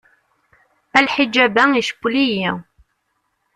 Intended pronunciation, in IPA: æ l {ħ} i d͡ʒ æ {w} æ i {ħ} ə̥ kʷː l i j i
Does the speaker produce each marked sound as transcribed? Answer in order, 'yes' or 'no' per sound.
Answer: yes, no, no

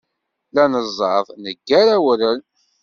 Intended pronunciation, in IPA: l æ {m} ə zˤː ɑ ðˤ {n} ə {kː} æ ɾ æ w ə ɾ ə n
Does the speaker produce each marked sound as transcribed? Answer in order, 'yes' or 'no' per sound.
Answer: no, yes, no

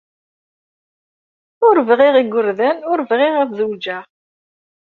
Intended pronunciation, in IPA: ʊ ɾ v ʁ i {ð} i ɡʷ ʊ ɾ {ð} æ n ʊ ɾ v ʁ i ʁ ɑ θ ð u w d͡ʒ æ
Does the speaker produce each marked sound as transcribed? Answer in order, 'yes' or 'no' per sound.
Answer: no, yes

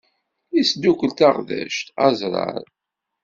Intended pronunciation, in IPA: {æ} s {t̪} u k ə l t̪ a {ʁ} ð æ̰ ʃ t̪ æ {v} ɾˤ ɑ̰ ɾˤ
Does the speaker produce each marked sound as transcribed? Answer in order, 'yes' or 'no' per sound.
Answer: no, no, yes, no

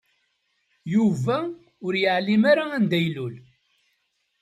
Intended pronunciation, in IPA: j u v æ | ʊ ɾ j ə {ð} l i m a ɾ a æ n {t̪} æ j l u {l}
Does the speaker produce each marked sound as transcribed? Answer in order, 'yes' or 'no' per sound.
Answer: no, no, yes

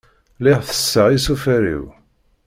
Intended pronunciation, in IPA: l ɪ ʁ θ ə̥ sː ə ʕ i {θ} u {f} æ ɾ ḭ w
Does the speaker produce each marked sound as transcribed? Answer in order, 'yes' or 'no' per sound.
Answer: no, yes

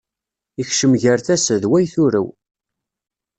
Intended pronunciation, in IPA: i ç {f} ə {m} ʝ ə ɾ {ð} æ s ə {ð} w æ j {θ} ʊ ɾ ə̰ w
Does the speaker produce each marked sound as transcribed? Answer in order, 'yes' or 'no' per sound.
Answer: no, yes, no, yes, yes

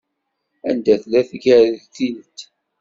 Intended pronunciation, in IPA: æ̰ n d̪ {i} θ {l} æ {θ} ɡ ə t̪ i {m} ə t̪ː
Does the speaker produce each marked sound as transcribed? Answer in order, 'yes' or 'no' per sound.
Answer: no, yes, yes, no

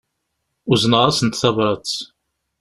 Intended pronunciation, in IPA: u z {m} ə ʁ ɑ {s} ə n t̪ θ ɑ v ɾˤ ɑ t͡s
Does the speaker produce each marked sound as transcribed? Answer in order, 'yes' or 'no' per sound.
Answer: no, yes

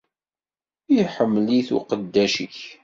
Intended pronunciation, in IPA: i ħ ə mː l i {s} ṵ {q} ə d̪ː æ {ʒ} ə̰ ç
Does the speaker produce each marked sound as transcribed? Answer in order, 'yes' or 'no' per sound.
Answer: no, yes, no

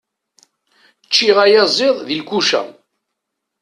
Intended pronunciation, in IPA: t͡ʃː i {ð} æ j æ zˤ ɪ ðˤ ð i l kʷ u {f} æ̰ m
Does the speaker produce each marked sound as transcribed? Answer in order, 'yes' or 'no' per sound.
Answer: no, no

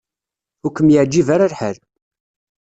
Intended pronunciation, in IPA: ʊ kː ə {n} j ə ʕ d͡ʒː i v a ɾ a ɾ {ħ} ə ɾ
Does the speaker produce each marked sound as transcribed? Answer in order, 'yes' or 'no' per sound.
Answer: no, yes

